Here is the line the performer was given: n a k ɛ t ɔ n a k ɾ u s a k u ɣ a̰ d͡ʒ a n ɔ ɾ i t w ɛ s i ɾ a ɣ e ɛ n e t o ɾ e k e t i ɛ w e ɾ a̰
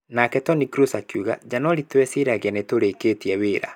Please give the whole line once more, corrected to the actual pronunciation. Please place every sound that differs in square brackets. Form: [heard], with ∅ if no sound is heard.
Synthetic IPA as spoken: n a k ɛ t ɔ n [i] k ɾ u s a k u ɣ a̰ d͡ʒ a n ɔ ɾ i t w ɛ s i ɾ a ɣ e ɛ n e t o ɾ e k e t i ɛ w e ɾ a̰